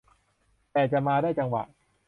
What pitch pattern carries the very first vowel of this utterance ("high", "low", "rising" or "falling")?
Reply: low